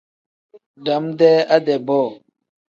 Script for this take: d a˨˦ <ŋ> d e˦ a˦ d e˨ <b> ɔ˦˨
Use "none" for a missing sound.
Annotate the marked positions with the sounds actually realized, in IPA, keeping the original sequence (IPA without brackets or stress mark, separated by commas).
m, b